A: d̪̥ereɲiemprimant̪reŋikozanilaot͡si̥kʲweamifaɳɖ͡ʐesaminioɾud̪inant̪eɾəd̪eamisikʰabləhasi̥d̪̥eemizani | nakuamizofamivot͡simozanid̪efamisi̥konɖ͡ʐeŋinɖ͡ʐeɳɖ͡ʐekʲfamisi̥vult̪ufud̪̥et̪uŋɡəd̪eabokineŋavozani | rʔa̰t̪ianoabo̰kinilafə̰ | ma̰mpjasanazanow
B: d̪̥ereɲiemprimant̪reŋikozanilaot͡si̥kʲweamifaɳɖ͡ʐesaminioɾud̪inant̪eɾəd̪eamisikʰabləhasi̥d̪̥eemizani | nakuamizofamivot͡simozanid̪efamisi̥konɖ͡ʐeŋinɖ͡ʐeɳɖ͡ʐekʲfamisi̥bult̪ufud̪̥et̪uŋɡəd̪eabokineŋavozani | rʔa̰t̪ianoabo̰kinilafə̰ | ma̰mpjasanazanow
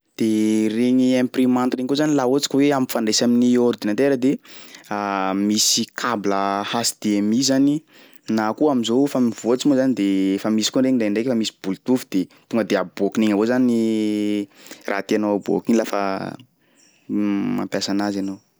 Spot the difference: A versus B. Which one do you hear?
B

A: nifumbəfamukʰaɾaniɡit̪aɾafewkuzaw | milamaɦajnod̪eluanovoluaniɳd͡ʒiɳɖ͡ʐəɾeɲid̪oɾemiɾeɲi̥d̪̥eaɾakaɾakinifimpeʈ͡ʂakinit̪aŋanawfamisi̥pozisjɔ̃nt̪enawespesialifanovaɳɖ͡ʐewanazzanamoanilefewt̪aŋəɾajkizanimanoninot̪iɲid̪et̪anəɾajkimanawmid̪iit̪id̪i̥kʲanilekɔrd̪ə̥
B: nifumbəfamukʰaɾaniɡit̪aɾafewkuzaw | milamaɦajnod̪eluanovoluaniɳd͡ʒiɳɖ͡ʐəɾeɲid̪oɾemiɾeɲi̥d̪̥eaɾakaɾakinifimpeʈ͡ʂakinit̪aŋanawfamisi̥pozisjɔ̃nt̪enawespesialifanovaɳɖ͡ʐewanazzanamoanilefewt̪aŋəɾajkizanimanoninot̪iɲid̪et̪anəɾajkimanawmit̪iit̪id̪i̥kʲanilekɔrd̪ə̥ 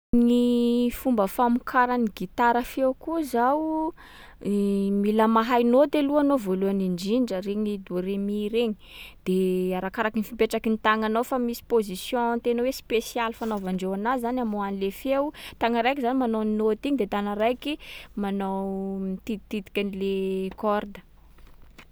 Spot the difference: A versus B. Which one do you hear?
B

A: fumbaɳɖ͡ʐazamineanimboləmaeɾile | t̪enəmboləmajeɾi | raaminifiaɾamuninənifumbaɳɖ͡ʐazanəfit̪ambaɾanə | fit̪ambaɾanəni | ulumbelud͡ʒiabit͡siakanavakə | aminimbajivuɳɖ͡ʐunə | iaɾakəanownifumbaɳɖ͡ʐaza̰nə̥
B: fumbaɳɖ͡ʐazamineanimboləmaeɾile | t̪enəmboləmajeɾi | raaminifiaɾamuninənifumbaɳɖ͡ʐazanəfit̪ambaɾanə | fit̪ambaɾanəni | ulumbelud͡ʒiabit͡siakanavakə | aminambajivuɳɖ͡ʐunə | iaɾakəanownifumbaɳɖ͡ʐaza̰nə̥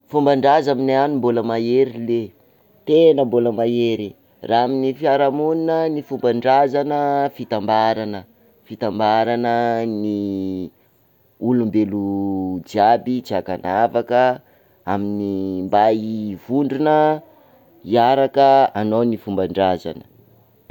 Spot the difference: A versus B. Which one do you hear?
A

